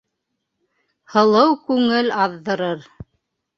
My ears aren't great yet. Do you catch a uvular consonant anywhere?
no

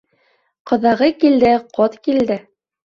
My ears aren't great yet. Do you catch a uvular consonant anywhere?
yes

